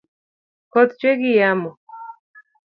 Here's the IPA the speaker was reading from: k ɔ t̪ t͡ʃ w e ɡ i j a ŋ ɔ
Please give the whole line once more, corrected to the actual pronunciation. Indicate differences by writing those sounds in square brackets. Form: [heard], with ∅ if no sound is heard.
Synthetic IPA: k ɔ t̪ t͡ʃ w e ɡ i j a [m] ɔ